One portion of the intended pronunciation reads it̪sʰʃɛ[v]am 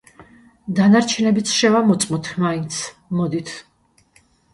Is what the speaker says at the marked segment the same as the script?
yes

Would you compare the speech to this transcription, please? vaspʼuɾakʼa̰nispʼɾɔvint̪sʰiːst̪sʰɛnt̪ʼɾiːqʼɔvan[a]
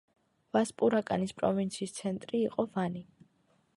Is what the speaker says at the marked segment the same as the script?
no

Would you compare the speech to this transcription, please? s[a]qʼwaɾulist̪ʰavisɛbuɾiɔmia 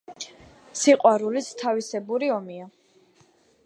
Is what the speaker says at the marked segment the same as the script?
no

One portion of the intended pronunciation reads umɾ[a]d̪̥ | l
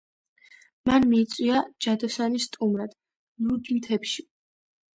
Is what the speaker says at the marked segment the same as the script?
yes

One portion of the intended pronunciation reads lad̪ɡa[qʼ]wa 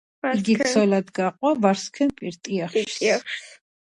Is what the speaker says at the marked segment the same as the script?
yes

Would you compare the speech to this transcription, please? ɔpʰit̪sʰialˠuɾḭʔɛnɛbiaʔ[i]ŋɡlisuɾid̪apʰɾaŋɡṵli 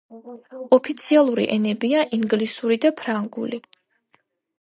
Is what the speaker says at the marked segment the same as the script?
yes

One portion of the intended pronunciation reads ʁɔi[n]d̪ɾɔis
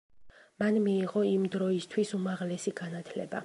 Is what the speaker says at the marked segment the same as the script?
no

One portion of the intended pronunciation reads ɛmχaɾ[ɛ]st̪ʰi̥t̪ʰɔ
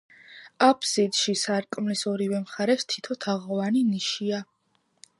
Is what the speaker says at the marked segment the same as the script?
yes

